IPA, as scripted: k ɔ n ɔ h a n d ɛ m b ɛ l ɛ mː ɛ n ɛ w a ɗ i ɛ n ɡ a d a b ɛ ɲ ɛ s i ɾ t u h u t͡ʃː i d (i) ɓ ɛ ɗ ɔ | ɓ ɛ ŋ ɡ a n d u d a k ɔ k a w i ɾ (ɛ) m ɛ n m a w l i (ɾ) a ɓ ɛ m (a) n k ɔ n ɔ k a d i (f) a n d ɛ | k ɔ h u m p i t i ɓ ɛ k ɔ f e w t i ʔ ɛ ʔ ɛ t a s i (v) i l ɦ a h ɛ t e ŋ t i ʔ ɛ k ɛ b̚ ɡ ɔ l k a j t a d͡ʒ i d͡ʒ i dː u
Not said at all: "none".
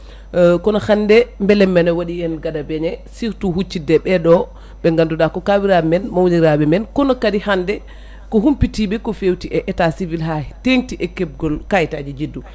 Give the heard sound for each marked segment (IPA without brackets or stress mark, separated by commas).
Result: ɛ, a, ɾ, ɛ, h, v